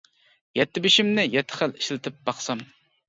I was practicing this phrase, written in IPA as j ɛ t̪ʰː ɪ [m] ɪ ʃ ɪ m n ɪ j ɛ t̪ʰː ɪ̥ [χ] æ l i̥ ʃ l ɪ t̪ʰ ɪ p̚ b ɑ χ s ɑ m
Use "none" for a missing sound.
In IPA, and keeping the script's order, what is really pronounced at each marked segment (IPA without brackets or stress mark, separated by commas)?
b, χ